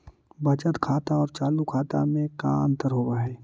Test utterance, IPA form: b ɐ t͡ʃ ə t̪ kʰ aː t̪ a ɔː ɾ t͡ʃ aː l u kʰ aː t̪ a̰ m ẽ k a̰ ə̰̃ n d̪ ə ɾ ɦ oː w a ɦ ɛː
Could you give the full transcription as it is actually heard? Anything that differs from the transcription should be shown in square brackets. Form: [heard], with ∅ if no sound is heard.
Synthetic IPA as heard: b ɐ t͡ʃ ə t̪ kʰ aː t̪ a ɔː ɾ t͡ʃ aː l u kʰ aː t̪ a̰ m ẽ k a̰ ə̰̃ n [t̪] ə ɾ ɦ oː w a ɦ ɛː